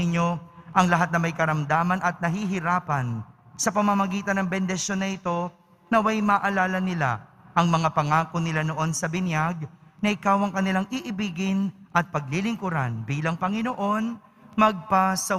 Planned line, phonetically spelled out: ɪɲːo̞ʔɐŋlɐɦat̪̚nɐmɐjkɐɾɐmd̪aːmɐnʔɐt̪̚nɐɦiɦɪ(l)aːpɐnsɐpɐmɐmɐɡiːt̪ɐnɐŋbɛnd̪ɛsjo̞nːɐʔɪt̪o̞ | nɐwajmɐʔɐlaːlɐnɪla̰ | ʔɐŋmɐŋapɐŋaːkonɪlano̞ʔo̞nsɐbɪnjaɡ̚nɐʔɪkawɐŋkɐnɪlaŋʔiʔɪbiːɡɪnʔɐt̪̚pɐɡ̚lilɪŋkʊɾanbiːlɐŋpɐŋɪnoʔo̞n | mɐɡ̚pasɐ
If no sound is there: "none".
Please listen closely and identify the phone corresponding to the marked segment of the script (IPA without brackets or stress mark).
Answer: ɾ